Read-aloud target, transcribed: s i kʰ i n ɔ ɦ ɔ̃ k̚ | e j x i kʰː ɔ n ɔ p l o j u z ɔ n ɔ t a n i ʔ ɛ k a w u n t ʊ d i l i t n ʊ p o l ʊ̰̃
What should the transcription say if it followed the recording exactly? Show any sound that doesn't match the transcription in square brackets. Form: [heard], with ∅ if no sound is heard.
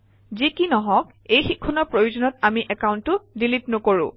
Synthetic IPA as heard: [z] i [k] i n ɔ ɦ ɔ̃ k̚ | e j x i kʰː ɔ n ɔ p [ɹ] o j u z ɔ n ɔ t a [m] i ʔ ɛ k a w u n t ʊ d i l i t n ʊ [k] o [ɹ] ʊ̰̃